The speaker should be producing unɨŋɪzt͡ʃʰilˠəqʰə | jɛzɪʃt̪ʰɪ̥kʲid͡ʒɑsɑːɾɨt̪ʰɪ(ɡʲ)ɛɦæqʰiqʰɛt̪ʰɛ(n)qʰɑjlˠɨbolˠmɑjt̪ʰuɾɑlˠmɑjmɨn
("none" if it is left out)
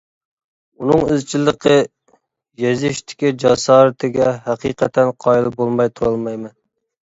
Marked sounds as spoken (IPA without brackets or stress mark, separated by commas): ɡʲ, n